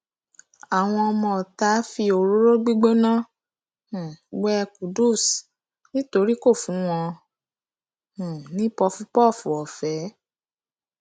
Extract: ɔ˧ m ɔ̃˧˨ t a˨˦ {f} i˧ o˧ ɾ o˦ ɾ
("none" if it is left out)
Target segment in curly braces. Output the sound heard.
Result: f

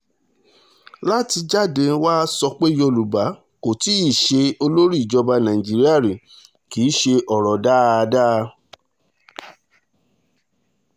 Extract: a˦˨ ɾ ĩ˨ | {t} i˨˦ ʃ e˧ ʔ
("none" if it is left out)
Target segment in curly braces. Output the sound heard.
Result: k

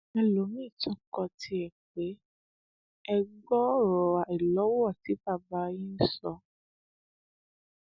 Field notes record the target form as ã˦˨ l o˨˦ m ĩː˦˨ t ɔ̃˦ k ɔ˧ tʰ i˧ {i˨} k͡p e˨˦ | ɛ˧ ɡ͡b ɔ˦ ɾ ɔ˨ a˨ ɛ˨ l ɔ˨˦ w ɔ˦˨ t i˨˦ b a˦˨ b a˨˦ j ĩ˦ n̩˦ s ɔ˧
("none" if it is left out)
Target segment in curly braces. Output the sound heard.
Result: ɛ˨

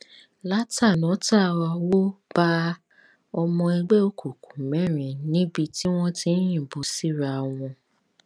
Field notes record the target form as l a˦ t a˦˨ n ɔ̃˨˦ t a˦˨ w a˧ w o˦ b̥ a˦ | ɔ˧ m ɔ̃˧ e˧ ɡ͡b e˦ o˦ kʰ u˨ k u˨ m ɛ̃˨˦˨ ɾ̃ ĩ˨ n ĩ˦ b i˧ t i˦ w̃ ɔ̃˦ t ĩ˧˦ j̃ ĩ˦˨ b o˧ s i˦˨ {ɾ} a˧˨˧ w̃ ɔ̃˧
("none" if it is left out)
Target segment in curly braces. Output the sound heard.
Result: ɾ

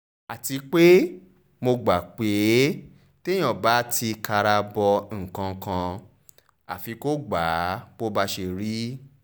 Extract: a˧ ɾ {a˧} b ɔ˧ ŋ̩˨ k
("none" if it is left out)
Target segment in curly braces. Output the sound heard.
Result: a˧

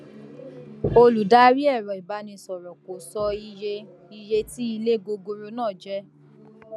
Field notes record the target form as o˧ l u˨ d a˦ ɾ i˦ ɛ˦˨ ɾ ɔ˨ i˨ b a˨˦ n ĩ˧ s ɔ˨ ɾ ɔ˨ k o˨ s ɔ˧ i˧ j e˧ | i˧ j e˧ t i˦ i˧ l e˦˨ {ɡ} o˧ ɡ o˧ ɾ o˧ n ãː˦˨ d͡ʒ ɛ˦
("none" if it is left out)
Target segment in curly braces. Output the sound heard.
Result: ɡ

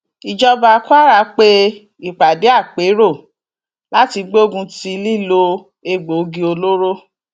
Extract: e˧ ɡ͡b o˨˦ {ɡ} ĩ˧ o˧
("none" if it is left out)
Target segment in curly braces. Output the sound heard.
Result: ɡ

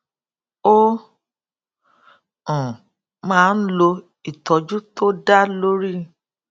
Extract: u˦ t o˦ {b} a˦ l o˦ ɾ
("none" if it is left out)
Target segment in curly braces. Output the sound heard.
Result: d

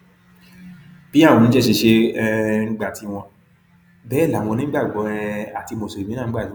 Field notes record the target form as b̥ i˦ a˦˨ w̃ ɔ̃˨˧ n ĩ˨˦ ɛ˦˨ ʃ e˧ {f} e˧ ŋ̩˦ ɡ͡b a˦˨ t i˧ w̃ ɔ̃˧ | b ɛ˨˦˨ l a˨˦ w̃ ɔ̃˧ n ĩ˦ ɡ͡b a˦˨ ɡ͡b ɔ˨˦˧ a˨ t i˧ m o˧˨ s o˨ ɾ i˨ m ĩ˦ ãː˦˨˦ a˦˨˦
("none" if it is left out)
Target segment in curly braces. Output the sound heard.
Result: ʃ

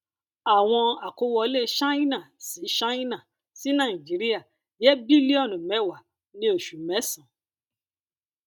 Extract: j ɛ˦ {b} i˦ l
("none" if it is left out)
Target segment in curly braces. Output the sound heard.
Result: b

